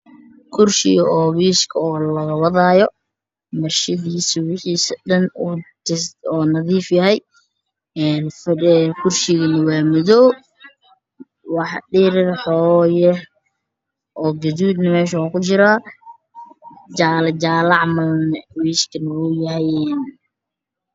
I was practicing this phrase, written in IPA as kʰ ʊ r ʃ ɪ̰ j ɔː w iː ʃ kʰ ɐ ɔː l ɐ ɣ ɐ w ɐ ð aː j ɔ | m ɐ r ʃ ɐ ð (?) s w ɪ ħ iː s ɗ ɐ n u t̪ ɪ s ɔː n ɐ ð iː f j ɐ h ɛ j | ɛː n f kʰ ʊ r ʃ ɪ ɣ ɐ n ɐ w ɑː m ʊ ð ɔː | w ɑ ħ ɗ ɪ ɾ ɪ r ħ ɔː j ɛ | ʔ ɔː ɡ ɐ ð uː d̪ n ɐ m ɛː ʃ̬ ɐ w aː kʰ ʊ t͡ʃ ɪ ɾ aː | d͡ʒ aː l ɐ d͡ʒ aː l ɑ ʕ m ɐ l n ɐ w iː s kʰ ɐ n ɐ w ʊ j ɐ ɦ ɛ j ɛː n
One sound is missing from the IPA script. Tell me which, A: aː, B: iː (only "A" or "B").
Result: B